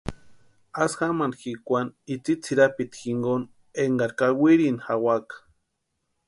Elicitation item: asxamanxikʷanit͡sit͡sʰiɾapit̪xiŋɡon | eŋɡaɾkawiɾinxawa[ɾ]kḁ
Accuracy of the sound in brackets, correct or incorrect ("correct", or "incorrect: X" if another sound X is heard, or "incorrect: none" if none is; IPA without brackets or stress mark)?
incorrect: none